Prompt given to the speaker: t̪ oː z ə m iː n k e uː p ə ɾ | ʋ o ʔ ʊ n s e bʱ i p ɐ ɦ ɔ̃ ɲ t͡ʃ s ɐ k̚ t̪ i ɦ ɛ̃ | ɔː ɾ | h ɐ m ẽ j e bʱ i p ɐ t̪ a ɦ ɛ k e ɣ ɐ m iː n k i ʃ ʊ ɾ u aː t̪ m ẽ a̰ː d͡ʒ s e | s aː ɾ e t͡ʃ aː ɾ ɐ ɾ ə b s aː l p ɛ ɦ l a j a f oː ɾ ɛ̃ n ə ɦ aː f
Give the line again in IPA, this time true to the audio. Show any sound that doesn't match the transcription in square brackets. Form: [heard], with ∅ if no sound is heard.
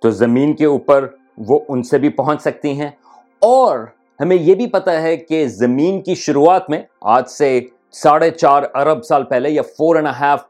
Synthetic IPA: t̪ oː z [ɐ] m iː n k e uː p ə ɾ | ʋ o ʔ ʊ n s e bʱ i p ɐ ɦ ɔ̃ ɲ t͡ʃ s ɐ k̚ t̪ i ɦ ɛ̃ | ɔː ɾ | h ɐ m ẽ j e bʱ i p ɐ t̪ a ɦ ɛ k e [z] ɐ m iː n k i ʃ ʊ ɾ u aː t̪ m ẽ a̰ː d͡ʒ s e | s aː [ɽ] e t͡ʃ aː ɾ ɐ ɾ ə b s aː l p ɛ ɦ l [e] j a f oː ɾ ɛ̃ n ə ɦ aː f